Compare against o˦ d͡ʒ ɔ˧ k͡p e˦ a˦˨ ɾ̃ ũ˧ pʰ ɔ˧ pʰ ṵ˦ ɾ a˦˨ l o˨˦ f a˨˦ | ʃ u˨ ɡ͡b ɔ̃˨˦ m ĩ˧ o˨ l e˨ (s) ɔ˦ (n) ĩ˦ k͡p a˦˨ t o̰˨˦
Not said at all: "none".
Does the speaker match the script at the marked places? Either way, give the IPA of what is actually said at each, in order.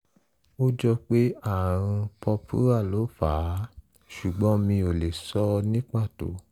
s, n

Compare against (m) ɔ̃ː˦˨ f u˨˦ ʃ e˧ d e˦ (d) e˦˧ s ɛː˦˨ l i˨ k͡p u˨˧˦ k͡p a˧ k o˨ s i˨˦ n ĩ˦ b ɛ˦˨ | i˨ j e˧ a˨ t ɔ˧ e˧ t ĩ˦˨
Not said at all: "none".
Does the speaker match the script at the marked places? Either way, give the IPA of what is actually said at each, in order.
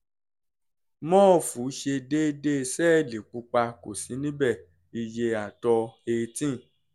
m, d

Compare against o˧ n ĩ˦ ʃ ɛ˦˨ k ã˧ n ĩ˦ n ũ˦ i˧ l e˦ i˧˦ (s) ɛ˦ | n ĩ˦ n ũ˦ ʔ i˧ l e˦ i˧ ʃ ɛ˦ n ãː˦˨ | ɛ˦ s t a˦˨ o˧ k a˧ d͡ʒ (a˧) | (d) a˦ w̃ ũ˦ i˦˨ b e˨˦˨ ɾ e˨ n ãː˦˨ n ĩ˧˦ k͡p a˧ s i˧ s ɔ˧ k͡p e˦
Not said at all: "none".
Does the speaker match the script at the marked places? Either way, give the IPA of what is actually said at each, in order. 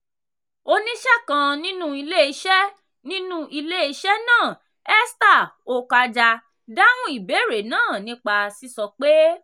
ʃ, a˧, d

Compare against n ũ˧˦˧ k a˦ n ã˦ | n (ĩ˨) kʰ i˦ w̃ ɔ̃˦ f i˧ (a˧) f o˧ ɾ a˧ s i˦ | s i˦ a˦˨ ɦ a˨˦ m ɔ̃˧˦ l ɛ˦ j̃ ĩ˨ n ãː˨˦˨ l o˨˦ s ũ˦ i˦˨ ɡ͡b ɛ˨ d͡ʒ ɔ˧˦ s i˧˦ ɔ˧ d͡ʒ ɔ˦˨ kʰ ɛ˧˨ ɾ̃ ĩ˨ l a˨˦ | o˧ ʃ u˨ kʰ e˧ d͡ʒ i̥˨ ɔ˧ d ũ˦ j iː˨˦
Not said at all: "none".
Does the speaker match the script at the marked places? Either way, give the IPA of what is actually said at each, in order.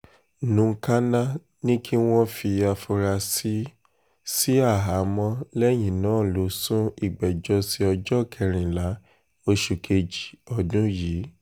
ĩ˦, a˧

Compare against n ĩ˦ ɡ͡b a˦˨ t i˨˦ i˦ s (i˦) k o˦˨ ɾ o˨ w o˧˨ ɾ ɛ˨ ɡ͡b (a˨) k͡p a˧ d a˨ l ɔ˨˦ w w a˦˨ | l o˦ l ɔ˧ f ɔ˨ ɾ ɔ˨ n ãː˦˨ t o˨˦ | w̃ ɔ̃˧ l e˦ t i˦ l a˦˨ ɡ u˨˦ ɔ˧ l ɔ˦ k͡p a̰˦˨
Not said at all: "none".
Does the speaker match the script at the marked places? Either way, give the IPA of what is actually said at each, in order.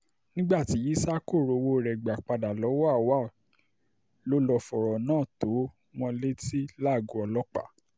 a˦, a˨

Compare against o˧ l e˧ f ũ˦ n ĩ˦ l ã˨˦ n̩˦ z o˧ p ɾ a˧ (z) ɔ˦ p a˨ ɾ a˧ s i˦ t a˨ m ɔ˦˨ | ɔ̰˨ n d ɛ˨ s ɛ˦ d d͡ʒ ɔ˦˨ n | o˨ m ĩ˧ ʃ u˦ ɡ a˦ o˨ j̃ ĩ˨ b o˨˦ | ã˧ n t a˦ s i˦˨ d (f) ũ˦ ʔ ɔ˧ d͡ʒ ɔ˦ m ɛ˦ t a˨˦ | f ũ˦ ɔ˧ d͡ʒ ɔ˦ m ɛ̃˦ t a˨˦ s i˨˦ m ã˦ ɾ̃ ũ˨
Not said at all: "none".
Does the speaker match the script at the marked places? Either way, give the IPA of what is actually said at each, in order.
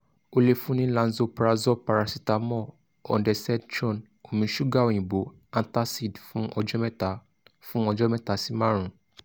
z, f

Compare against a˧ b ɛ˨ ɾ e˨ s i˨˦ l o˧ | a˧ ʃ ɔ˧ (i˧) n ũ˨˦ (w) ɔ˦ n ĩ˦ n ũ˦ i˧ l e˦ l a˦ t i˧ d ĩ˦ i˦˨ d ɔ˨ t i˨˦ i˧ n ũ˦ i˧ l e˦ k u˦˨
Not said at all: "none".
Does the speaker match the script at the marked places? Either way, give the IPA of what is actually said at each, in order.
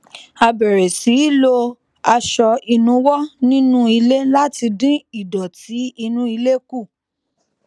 i˧, w

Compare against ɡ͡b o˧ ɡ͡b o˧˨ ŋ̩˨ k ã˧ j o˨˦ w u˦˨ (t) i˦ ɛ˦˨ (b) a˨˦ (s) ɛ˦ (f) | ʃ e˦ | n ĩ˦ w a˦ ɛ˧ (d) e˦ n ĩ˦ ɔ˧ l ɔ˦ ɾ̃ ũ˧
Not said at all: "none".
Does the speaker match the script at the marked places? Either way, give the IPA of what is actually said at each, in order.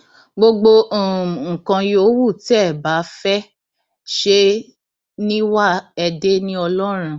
t, b, f, none, d

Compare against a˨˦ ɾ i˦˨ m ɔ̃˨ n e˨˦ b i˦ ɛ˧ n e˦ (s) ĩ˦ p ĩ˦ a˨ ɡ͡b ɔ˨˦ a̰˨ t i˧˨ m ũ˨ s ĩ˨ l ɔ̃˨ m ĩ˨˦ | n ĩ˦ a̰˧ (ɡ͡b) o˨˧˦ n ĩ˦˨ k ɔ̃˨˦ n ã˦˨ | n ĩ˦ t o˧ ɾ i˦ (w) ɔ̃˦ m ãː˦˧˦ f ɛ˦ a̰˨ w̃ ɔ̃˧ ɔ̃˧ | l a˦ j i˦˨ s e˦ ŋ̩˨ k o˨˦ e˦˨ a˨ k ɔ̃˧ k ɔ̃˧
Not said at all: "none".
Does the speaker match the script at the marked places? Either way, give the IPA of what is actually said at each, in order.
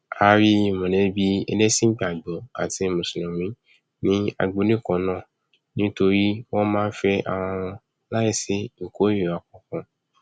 s, ɡ͡b, w

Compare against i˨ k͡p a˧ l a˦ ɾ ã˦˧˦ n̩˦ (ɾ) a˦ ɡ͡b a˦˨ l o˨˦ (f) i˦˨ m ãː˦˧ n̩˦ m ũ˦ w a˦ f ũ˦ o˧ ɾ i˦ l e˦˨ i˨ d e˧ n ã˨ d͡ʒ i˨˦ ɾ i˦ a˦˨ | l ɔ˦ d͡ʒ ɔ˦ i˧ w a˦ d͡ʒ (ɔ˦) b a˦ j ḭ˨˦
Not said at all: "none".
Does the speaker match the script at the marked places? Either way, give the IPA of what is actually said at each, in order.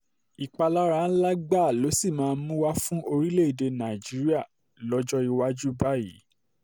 l, s, u˦

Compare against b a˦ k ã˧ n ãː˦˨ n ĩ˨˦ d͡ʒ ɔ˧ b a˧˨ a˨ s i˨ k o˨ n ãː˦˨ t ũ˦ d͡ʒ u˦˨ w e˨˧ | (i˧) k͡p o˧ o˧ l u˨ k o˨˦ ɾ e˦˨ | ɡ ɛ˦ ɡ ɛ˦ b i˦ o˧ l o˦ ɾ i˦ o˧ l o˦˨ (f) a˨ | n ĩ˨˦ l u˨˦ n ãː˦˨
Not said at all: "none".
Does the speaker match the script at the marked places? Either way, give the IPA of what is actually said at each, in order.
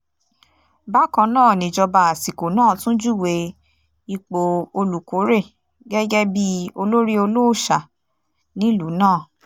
i˧, ʃ

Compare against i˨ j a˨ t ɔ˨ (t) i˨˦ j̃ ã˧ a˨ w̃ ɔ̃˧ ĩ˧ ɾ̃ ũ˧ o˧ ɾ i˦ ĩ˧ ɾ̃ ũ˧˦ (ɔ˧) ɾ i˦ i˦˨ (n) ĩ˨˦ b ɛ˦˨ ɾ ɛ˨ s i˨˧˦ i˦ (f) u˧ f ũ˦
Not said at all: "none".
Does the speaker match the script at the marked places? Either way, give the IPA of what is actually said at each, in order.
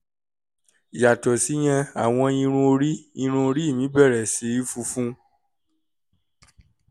s, o˧, m, f

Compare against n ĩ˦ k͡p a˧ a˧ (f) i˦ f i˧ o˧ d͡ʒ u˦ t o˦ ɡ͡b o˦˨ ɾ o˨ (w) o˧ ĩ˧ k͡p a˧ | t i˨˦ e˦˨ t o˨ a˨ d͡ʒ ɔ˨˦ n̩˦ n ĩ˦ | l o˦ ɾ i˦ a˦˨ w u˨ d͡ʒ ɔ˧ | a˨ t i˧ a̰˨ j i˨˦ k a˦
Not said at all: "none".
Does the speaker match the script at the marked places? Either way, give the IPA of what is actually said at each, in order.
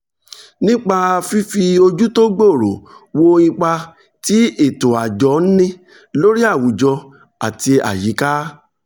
f, w

